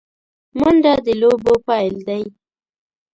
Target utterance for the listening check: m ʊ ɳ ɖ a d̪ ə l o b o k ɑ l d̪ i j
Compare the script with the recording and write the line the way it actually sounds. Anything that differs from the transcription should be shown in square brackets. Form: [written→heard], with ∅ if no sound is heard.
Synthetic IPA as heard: m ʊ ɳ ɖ a d̪ ə l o b o [k→p] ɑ l d̪ [i→a] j